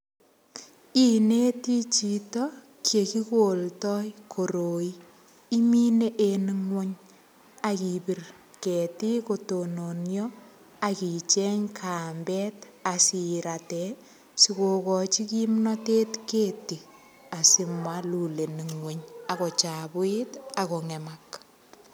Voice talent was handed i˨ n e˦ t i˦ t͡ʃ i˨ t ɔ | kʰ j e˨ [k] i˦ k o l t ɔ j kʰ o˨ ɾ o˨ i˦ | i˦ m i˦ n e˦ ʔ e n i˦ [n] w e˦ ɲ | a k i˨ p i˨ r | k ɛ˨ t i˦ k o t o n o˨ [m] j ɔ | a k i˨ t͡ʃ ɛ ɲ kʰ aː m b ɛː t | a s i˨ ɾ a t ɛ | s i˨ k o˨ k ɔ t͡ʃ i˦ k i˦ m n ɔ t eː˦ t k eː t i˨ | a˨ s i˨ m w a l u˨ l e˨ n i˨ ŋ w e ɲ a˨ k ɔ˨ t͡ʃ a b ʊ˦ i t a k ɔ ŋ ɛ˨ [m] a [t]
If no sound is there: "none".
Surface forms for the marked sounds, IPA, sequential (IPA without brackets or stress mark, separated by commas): k, ŋ, n, m, k